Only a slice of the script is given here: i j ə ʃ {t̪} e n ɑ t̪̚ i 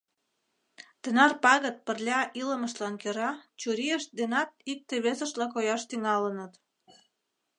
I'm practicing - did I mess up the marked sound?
yes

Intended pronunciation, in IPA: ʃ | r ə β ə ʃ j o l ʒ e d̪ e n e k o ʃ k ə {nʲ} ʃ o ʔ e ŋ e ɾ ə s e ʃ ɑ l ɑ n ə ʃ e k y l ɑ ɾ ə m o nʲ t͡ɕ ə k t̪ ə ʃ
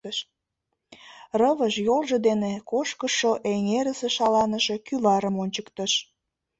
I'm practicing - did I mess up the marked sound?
yes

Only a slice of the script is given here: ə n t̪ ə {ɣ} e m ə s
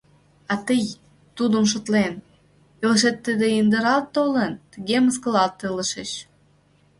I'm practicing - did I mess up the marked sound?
no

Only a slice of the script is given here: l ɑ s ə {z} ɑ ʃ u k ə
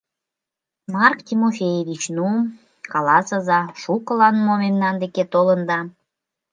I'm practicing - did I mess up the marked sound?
no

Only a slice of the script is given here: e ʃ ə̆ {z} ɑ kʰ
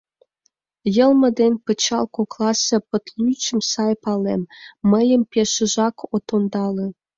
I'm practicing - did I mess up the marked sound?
yes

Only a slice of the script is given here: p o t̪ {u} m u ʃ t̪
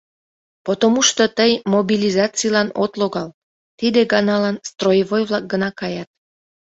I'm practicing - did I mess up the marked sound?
yes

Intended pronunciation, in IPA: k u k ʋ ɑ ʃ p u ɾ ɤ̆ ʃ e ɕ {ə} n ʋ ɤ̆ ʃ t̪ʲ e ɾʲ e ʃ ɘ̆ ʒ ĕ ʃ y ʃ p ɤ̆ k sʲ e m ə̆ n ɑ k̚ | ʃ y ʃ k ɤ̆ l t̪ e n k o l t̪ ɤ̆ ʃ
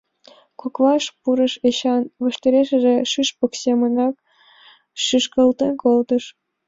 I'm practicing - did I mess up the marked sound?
yes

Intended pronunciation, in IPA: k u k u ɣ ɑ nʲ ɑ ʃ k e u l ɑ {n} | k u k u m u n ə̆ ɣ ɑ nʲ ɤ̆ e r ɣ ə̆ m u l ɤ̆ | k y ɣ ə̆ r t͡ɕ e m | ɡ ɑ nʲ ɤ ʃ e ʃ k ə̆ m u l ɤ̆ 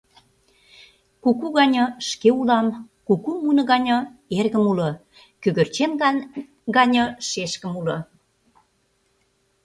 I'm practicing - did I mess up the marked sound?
yes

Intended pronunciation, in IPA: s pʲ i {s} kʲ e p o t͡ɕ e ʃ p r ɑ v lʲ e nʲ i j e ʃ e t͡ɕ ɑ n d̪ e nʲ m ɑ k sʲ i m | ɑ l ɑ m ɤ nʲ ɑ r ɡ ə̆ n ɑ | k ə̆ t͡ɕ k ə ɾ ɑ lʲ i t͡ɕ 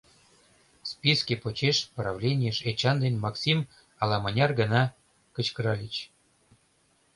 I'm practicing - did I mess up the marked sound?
no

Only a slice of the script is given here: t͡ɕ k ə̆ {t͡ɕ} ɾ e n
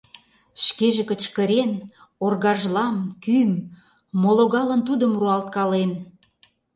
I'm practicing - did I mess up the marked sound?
yes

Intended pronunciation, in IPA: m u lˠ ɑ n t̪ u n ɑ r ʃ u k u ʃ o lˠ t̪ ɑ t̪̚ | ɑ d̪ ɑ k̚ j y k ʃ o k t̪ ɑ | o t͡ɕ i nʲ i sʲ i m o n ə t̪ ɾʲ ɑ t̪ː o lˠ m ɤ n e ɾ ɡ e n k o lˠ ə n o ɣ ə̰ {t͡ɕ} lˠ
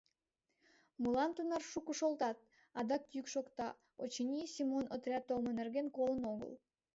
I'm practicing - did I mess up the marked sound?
yes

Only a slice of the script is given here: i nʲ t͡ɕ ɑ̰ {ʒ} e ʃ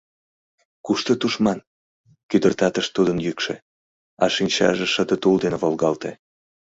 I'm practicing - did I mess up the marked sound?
no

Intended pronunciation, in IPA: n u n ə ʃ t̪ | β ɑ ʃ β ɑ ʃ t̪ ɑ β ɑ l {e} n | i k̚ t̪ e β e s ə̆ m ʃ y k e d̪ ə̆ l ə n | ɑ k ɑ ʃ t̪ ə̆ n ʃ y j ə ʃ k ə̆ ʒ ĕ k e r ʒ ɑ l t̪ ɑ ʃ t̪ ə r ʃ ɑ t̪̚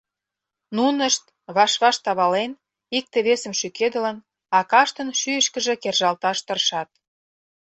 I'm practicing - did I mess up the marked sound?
no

